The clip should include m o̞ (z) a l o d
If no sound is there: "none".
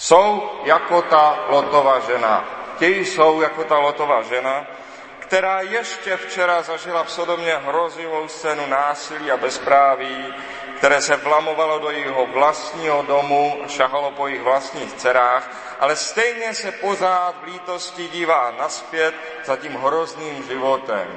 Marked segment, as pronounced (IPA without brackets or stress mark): v